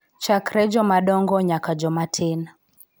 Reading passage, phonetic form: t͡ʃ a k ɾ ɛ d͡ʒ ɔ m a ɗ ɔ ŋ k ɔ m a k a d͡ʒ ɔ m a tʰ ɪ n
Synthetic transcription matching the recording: t͡ʃ a k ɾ ɛ d͡ʒ ɔ m a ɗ ɔ ŋ ɡ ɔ ɲ a k a d͡ʒ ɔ m a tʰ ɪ n